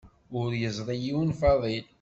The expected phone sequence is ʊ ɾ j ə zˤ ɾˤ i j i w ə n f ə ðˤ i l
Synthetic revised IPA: ʊ ɾ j ə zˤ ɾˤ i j i w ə n f ɑ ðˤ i l